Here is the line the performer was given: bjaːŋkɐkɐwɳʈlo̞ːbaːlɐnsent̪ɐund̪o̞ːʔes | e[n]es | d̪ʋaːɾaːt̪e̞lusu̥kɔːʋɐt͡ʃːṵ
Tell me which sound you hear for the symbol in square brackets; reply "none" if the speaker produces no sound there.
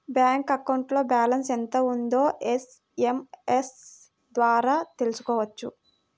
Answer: m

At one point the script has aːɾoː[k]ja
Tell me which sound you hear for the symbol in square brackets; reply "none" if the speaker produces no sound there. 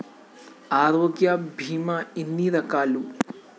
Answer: ɡ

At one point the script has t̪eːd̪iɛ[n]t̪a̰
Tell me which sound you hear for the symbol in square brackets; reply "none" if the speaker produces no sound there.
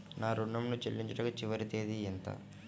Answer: n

